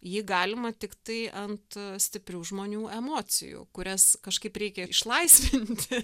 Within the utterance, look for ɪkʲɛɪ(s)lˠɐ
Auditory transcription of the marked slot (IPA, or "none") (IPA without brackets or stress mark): ʃ